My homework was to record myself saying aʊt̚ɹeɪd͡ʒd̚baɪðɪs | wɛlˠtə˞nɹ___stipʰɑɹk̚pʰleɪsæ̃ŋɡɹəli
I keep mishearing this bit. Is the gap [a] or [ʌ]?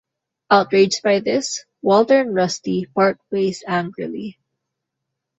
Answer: ʌ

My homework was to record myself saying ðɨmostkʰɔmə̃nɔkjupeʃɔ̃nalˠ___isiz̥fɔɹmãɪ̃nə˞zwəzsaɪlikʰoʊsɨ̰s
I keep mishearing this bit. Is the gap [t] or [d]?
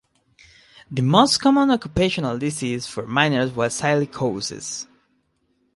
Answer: d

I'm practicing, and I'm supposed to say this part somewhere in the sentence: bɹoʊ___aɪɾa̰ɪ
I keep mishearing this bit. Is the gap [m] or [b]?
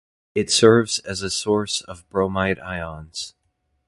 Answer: m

